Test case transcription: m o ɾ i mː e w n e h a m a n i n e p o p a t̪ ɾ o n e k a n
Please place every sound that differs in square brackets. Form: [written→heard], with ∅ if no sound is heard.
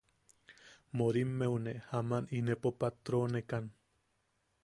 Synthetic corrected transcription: m o ɾ i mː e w n e h a m a n i n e p o p a t̪ ɾ o n e k a n